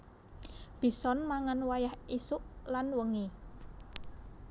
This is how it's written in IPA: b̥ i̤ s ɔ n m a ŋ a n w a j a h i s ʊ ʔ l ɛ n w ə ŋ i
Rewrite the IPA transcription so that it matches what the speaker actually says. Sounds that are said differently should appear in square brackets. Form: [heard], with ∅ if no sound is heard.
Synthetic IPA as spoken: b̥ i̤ s ɔ n m a ŋ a n w a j a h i s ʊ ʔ l [a] n w ə ŋ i